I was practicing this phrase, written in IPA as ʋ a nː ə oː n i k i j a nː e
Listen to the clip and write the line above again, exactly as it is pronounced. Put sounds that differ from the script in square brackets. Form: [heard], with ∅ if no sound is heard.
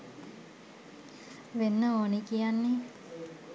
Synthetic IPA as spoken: ʋ [e] nː ə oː n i k i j a nː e